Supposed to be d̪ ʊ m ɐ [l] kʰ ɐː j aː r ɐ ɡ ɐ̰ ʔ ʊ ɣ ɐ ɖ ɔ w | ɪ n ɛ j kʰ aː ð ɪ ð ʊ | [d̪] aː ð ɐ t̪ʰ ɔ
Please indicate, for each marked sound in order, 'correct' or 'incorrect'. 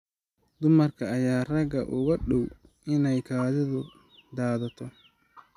incorrect: r, correct

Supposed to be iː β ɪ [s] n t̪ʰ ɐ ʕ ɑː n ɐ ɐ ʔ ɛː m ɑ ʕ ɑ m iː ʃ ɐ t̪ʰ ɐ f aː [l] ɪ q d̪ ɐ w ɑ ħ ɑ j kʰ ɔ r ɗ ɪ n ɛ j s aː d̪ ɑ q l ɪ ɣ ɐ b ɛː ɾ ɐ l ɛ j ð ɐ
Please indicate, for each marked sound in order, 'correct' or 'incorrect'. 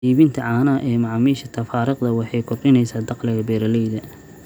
incorrect: none, incorrect: ɾ

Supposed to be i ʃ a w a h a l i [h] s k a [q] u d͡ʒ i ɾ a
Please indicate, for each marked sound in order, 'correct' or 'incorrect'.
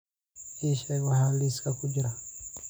incorrect: none, incorrect: k

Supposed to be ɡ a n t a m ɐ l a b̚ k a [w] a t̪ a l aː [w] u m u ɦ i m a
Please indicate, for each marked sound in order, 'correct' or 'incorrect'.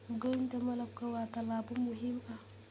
correct, incorrect: b

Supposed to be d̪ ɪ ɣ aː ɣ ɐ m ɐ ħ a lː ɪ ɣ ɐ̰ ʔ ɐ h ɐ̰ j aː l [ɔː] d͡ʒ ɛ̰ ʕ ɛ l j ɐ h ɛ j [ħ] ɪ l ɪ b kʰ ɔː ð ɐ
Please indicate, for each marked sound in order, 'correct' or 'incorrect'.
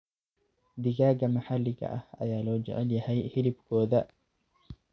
correct, incorrect: h

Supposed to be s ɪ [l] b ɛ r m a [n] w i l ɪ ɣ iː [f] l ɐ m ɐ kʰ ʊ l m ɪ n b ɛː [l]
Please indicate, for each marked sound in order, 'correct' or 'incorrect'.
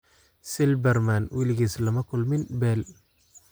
correct, correct, incorrect: s, correct

